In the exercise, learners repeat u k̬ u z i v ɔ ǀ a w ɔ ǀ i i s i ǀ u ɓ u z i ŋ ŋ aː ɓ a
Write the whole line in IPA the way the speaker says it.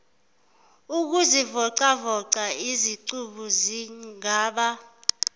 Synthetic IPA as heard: u k̬ u z i v ɔ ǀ a v ɔ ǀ a i z i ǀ u ɓ u z i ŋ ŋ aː ɓ a